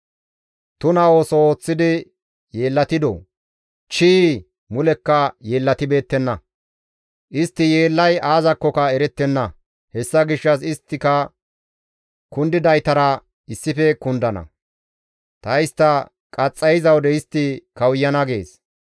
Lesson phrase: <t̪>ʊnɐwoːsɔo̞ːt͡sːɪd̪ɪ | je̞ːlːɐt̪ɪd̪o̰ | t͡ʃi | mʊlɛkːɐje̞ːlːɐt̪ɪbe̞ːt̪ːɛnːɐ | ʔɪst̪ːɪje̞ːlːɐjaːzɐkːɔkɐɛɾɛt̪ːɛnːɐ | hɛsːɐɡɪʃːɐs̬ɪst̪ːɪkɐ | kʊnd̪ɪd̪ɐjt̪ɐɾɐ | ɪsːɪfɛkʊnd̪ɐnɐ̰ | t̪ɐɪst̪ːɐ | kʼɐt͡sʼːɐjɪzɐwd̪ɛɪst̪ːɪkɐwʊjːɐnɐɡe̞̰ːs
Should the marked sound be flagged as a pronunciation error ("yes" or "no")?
no